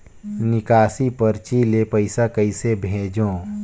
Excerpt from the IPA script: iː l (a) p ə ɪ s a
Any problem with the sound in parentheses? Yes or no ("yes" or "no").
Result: yes